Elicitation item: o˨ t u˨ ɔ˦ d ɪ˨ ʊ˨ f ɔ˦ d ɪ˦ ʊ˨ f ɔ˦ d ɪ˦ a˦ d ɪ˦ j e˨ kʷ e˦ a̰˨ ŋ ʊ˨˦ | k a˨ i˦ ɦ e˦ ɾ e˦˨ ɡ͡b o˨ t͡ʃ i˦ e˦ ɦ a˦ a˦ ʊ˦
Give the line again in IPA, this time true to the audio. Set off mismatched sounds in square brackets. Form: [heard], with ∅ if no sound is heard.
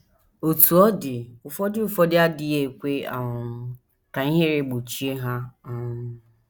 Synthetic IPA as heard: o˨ t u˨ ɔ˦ d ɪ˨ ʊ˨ f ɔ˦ d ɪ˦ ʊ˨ f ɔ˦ d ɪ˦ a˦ d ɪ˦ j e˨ kʷ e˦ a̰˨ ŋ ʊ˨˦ | k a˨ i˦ ɦ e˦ ɾ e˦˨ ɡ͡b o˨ t͡ʃ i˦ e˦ ɦ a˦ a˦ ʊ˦

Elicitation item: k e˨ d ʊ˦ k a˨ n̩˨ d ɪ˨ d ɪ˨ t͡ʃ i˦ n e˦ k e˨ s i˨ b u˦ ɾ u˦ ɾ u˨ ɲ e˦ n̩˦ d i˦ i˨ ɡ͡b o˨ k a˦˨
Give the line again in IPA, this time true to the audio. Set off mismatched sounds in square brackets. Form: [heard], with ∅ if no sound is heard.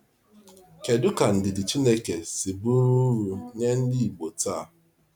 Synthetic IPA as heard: k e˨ d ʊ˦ k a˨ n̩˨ d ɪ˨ d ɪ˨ t͡ʃ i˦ n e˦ k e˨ s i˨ b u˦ ɾ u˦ ɾ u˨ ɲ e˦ n̩˦ d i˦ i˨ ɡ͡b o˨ [t] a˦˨

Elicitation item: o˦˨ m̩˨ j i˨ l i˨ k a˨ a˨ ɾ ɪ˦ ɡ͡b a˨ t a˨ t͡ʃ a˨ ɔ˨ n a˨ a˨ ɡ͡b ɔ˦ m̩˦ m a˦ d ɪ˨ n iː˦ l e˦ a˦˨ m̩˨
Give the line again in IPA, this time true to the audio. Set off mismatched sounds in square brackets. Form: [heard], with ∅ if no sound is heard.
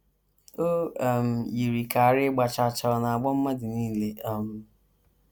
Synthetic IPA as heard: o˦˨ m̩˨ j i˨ [ɾ] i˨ k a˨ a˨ ɾ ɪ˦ ɡ͡b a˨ [t͡ʃ] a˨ t͡ʃ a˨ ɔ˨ n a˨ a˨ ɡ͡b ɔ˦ m̩˦ m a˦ d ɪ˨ n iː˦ l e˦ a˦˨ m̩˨

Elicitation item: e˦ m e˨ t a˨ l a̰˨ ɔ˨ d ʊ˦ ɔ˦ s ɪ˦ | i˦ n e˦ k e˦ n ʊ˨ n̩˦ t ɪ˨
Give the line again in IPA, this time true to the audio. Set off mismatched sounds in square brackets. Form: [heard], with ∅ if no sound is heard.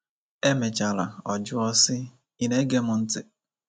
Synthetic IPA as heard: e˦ m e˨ [t͡ʃ] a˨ l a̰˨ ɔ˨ [d͡ʒ] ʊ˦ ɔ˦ s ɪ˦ | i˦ n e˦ [ɡ] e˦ [m] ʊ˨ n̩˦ t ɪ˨

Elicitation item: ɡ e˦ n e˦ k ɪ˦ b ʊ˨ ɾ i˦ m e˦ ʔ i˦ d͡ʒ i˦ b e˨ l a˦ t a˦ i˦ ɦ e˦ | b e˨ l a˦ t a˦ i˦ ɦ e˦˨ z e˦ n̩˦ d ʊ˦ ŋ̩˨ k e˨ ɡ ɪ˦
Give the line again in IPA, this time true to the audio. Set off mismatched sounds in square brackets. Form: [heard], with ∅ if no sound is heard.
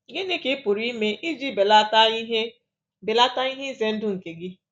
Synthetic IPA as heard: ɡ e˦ n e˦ k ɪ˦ [p] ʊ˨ ɾ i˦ m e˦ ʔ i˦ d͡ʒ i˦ b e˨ l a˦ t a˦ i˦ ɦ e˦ | b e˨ l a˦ t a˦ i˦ ɦ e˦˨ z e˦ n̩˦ d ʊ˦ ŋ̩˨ k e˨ ɡ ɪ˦

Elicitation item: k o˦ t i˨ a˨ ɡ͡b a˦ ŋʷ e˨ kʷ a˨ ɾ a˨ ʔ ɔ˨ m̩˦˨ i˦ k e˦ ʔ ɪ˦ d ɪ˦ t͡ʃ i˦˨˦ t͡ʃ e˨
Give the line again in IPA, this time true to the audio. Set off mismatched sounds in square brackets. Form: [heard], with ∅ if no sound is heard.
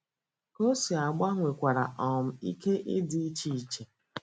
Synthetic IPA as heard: k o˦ [s] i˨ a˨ ɡ͡b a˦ ŋʷ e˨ kʷ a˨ ɾ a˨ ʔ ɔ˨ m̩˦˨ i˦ k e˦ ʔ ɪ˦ d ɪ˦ t͡ʃ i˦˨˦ t͡ʃ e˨

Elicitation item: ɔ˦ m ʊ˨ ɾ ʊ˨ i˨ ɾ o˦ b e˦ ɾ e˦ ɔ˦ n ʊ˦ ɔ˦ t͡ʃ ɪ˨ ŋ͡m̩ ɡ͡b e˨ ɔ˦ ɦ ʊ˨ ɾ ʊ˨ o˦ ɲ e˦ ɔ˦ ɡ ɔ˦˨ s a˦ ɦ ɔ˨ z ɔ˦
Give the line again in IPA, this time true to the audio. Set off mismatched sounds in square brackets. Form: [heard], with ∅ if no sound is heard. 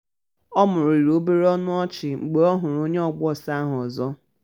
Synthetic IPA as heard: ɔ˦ m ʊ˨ ɾ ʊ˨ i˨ ɾ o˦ b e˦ ɾ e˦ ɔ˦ n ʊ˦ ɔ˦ t͡ʃ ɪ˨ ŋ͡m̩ ɡ͡b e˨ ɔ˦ ɦ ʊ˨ ɾ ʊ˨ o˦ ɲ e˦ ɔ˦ [ɡ͡b] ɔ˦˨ s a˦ ɦ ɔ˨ z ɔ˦

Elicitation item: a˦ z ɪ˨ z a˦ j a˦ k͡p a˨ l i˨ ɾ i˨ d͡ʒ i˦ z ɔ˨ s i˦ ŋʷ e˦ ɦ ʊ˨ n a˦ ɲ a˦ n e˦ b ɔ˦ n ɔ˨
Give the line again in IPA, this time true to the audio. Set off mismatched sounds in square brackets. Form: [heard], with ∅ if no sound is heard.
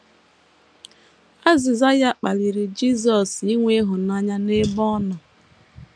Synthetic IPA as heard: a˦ z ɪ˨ z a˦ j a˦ k͡p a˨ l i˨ ɾ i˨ d͡ʒ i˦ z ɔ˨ s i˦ ŋʷ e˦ ɦ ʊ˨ n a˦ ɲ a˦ n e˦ b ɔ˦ n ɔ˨

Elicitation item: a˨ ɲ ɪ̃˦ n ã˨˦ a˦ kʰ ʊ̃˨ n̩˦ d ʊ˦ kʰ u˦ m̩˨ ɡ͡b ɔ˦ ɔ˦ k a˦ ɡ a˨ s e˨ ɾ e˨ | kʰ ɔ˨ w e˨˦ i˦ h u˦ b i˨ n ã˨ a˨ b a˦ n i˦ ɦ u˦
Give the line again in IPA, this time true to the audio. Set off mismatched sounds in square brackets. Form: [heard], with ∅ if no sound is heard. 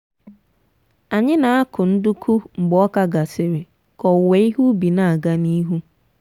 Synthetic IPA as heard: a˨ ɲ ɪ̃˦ n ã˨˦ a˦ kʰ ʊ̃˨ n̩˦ d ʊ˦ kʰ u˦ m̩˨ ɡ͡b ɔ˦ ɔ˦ k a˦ ɡ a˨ s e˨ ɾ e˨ | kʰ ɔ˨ w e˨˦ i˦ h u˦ b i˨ n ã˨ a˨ [ɡ] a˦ n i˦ ɦ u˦

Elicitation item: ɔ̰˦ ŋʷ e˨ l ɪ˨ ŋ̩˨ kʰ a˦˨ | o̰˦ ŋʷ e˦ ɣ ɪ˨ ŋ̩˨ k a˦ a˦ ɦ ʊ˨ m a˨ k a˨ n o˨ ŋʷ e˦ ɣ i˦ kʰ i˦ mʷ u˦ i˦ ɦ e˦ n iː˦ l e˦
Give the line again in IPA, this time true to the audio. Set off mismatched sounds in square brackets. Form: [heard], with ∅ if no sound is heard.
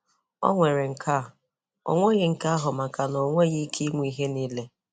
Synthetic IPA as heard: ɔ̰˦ ŋʷ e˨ [ɾ] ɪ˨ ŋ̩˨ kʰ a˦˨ | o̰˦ ŋʷ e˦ ɣ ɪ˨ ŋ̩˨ k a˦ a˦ ɦ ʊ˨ m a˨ k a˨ n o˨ ŋʷ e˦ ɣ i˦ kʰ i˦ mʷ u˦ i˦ ɦ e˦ n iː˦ l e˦

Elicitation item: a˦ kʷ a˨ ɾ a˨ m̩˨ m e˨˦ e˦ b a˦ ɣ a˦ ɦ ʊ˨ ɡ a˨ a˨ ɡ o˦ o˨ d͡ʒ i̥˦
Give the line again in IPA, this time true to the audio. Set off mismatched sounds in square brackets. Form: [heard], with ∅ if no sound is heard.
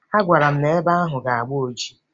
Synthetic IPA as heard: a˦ [ɡʷ] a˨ ɾ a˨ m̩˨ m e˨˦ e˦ b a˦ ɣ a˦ ɦ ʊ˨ ɡ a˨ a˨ [ɡ͡b] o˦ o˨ d͡ʒ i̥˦

